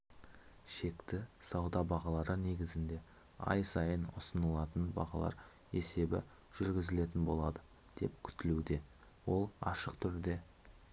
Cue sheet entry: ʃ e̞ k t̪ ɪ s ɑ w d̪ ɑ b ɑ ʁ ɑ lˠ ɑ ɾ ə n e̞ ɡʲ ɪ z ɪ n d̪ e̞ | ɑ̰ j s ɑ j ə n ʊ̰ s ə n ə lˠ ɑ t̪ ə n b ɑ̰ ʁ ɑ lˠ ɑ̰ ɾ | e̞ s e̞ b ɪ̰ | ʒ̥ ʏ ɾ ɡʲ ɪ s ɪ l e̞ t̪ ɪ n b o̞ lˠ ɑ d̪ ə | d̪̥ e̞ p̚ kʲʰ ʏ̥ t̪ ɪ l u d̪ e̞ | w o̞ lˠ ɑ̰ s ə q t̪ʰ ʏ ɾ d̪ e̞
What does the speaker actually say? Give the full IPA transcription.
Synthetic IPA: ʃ e̞ k t̪ ɪ s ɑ w d̪ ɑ b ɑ ʁ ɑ lˠ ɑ ɾ ə n e̞ ɡʲ ɪ z ɪ n d̪ e̞ | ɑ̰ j s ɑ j ə n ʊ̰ s ə n ə lˠ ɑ t̪ ə n b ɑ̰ ʁ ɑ lˠ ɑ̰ ɾ | e̞ s e̞ b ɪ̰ | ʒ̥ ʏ ɾ ɡʲ ɪ z ɪ l e̞ t̪ ɪ n b o̞ lˠ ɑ d̪ ə | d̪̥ e̞ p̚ kʲʰ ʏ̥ t̪ ɪ l u d̪ e̞ | w o̞ lˠ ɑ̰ ʃ ə q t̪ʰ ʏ ɾ d̪ e̞